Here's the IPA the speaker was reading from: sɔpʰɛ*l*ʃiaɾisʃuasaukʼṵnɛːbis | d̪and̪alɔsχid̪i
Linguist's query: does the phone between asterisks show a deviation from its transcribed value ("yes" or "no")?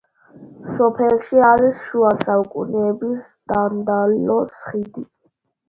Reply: no